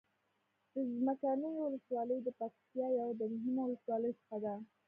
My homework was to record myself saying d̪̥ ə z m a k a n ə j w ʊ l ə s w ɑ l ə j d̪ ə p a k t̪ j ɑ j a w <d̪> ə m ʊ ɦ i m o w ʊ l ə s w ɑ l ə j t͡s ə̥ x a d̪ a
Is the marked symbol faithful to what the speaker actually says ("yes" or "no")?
yes